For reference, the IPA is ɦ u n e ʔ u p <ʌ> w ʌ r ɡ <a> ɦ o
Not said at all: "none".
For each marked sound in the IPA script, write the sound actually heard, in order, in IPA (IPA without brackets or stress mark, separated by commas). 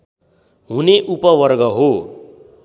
ʌ, ʌ